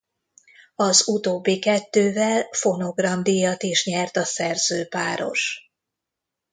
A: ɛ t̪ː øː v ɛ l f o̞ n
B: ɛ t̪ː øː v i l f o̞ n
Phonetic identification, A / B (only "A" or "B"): A